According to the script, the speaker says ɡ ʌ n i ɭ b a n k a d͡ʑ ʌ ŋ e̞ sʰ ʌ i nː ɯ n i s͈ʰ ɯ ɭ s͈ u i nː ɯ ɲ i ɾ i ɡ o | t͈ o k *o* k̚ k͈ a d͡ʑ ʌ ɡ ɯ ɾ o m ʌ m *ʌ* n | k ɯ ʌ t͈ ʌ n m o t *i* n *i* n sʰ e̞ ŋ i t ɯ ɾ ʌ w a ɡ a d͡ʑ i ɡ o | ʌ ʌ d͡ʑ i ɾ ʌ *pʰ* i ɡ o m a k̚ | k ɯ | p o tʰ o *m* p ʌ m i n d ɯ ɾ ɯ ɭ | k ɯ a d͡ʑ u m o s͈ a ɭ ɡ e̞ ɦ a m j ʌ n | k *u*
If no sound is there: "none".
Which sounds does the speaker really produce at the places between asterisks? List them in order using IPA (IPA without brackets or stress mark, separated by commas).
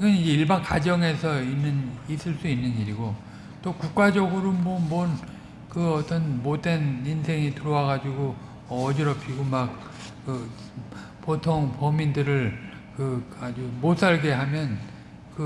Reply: u, ʌ, e, i, pʰ, ŋ, ɯ